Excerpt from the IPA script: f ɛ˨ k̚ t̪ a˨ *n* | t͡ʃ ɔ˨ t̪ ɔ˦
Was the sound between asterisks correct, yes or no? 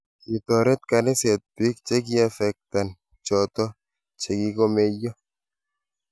yes